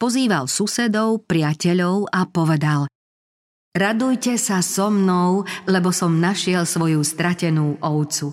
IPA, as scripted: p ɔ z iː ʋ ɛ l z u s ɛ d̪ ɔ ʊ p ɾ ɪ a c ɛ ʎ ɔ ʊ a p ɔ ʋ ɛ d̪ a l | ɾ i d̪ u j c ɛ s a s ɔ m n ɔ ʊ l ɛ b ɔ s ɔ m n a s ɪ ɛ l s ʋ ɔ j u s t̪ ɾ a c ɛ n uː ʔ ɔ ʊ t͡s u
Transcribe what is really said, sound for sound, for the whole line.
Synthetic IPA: p ɔ z iː ʋ a l s u s ɛ d̪ ɔ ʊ p ɾ ɪ a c ɛ ʎ ɔ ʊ a p ɔ ʋ ɛ d̪ a l | ɾ a d̪ u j c ɛ s a s ɔ m n ɔ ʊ l ɛ b ɔ s ɔ m n a ʃ ɪ ɛ l s ʋ ɔ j u s t̪ ɾ a c ɛ n uː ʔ ɔ ʊ t͡s u